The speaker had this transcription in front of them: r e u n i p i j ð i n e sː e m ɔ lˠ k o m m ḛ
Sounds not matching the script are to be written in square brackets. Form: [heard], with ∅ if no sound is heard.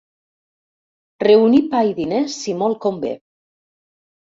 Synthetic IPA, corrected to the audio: r e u n i p [a] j ð i n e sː [i] m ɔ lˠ k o m [b] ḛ